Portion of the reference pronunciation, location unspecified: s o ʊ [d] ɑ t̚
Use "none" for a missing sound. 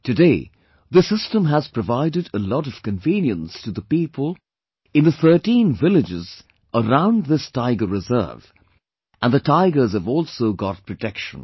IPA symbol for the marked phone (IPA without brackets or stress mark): ɡ